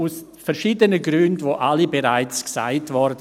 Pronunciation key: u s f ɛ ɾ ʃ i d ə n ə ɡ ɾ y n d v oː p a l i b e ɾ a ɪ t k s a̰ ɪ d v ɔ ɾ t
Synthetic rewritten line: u s f ɛ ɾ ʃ iː d ə n ə ɡ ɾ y n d v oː ʔ a l i b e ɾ a ɪ t͡s k s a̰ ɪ t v ɔ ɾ d